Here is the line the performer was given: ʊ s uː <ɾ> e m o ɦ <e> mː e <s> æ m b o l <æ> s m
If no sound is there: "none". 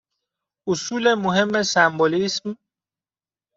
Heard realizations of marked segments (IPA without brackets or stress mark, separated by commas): l, e, s, i